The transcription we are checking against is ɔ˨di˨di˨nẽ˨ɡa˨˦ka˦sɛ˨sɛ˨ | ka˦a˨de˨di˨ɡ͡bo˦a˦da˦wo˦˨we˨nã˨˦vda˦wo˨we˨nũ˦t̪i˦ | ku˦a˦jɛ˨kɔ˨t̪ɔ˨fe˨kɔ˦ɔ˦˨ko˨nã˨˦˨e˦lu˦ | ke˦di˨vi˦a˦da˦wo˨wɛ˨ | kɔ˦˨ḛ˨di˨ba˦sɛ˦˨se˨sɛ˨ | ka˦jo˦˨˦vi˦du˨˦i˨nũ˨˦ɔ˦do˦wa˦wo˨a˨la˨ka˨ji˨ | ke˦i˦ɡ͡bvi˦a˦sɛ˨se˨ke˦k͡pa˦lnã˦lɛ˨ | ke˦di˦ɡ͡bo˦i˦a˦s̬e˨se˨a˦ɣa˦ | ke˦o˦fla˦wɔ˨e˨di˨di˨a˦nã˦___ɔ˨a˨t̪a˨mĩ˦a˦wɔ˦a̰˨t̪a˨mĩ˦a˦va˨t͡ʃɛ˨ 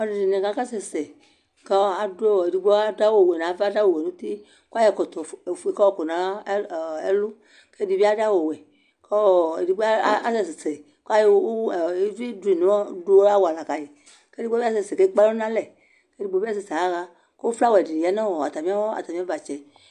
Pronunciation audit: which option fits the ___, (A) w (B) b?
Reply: A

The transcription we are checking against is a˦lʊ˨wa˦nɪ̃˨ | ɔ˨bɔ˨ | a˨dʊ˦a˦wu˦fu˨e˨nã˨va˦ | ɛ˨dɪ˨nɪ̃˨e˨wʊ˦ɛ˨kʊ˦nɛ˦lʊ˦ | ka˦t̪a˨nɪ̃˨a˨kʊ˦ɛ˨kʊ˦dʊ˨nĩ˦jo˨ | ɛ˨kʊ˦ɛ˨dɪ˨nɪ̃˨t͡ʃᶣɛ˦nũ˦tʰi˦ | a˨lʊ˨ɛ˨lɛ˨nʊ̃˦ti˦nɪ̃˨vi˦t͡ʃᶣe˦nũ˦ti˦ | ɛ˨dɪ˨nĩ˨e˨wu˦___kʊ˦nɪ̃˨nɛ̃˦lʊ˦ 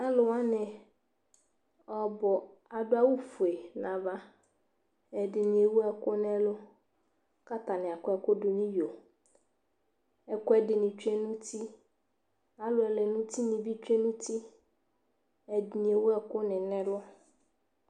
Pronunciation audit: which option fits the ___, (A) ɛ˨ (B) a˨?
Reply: A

